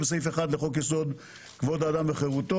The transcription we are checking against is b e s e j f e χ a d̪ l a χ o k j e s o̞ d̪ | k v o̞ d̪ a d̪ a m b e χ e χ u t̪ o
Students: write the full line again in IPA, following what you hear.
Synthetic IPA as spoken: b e s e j f e χ a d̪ l e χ o k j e s o̞ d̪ | k v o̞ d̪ a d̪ a m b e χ e ʁ u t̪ o